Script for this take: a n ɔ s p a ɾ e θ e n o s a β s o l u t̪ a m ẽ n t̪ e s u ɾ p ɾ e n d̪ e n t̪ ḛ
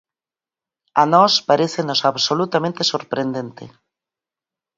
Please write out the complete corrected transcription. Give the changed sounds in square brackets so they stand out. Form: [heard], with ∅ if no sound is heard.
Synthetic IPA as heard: a n ɔ s p a ɾ e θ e n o s a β s o l u t̪ a m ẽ n t̪ e s [o] ɾ p ɾ e n d̪ e n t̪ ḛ